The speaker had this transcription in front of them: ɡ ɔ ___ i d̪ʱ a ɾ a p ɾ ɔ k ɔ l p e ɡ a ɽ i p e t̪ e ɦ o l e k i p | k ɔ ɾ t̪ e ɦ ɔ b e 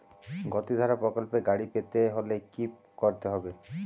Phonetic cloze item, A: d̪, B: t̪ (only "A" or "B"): B